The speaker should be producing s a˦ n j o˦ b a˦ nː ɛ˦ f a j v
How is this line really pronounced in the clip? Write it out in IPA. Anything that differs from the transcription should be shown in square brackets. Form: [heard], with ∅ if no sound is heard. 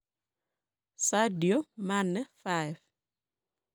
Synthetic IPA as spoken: s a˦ [d] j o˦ [m] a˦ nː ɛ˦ f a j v